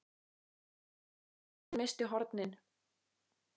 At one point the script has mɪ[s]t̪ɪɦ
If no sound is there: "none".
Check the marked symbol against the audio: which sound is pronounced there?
s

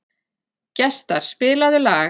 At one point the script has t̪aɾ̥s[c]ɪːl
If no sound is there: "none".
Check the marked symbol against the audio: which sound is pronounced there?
p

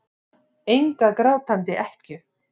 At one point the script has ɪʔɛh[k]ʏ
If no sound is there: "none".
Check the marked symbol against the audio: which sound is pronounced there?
c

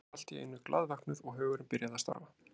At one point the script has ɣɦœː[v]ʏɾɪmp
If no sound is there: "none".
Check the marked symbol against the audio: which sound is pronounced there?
ɣ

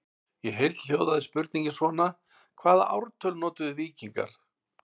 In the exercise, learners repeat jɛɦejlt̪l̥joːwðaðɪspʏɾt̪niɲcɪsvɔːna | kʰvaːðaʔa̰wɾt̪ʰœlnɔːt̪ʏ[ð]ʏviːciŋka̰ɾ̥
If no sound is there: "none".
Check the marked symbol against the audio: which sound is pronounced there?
ð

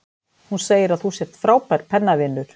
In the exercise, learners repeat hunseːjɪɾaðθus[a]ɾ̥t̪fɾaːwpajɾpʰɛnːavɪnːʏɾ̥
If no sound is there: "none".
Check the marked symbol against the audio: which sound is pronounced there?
ɛ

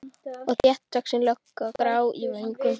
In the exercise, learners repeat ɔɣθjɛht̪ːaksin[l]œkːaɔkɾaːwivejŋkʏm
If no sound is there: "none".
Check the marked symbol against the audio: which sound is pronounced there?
l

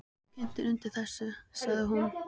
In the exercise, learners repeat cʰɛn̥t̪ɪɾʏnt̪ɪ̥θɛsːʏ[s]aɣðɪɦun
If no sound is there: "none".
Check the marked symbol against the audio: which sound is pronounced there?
s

